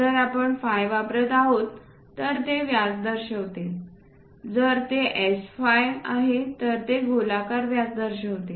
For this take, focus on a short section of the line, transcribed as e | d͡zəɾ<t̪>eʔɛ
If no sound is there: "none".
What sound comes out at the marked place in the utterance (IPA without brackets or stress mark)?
t̪